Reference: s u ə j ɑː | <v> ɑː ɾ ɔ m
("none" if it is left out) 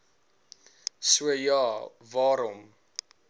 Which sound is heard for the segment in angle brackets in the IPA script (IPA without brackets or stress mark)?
v